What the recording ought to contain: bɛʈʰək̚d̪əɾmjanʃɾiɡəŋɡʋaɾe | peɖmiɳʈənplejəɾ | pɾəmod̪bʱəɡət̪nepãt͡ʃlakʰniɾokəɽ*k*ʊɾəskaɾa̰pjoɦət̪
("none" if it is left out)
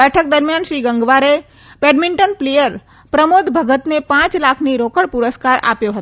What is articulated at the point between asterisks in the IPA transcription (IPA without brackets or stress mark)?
p